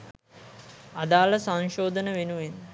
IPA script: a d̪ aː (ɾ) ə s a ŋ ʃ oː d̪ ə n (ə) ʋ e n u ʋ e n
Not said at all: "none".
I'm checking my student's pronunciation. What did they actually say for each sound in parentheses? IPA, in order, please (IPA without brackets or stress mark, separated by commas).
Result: l, ə